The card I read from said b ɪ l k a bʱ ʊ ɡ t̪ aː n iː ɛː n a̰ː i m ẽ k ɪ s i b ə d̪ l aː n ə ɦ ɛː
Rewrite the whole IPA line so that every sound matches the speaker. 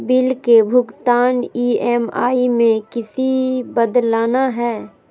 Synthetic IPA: b ɪ l k e bʱ ʊ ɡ t̪ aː n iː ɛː m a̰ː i m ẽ k ɪ s i b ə d̪ l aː n a ɦ ɛː